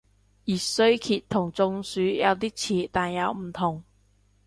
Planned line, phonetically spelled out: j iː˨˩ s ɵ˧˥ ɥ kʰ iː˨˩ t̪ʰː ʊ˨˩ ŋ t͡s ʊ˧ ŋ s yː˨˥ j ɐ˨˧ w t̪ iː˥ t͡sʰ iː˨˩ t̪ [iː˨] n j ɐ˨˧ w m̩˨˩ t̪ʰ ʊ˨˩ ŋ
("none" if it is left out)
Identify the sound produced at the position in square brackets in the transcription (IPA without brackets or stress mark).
aː˨